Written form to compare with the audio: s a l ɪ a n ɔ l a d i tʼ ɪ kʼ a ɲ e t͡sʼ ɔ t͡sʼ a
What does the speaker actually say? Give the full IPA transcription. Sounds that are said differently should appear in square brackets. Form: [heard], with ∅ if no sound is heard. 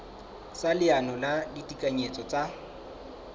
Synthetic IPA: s a l ɪ a n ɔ l a d i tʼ [i] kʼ a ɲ e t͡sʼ ɔ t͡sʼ a